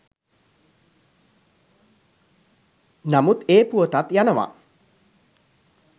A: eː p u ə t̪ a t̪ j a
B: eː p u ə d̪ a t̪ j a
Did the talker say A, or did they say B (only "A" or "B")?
A